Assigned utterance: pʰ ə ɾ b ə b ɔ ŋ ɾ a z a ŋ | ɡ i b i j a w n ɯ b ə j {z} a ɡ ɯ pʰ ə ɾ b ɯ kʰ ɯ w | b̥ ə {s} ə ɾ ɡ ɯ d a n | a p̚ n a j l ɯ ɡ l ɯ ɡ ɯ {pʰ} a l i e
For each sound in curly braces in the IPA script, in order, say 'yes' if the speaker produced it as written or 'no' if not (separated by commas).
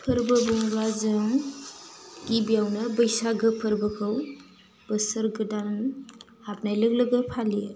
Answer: no, yes, yes